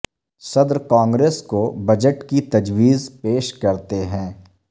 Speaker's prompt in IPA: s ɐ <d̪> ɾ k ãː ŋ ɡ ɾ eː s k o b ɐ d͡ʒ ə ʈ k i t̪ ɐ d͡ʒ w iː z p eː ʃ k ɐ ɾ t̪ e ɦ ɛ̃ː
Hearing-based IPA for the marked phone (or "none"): d̪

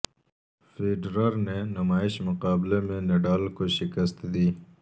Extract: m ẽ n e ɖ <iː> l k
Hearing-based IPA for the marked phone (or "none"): aː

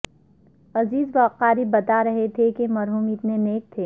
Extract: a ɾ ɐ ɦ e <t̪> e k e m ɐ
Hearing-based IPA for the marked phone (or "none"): t̪ʰ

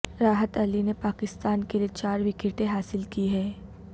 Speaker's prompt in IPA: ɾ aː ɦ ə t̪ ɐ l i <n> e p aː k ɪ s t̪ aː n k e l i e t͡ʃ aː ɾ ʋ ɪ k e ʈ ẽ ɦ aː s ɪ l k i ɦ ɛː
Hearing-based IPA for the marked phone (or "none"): n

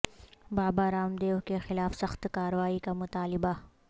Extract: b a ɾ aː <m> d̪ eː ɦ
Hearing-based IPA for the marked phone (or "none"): m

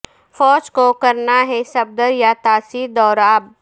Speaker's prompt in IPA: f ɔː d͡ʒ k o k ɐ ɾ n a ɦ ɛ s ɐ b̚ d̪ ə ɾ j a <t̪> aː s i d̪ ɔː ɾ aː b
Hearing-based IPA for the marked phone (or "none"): t̪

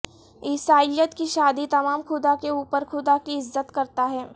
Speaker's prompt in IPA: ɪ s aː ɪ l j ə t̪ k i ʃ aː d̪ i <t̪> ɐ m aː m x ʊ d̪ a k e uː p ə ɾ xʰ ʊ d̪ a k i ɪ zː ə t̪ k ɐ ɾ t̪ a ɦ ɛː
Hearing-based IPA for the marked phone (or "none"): t̪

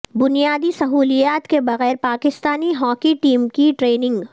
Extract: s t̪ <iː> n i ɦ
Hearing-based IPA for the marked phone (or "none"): aː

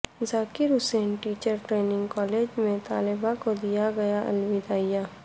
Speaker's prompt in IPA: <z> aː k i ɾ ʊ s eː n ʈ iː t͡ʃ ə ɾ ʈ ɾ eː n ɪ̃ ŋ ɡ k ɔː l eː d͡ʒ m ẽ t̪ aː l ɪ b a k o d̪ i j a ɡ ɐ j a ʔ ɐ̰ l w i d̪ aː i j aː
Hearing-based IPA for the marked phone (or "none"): z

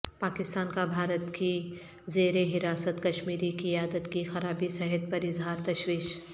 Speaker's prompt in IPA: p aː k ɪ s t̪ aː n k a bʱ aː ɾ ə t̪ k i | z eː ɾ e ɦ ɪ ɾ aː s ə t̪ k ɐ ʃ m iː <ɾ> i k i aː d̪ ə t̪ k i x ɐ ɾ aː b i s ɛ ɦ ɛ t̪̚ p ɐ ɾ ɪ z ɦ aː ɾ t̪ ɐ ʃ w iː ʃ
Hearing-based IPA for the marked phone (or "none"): ɾ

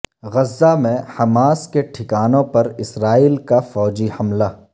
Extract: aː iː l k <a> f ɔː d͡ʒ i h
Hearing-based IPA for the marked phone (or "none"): a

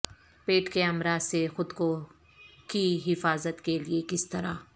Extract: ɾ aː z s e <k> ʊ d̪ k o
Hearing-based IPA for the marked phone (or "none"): x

